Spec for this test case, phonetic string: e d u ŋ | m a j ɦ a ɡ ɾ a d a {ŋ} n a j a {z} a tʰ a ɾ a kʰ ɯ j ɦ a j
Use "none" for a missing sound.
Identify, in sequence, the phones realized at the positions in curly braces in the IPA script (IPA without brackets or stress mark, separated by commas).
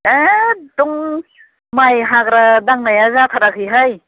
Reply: ŋ, z